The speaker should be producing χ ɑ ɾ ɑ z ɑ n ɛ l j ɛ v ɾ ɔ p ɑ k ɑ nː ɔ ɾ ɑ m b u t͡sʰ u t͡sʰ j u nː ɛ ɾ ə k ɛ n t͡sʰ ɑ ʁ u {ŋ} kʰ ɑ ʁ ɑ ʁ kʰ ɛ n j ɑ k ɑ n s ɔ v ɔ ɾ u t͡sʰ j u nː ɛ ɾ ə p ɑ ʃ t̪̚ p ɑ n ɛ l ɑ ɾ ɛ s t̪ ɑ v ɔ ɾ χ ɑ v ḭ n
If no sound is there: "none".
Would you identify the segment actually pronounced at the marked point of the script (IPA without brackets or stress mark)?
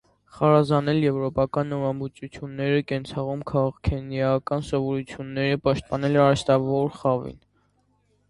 m